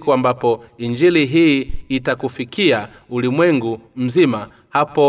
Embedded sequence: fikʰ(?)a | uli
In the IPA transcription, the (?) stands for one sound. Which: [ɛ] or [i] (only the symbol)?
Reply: i